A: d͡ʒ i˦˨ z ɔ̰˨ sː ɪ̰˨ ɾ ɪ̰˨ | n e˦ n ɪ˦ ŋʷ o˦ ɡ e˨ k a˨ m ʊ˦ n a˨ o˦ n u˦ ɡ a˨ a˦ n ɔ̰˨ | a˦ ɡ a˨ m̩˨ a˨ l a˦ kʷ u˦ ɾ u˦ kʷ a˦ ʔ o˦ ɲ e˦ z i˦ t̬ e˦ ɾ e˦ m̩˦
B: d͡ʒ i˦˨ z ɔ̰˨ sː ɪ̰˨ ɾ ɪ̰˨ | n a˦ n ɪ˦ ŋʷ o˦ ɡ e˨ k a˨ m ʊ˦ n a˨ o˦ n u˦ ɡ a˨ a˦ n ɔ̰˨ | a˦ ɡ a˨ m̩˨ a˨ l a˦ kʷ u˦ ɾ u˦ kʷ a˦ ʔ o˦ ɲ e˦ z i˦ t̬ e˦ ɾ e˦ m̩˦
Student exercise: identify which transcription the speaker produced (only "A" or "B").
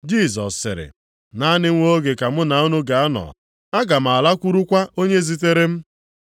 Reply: B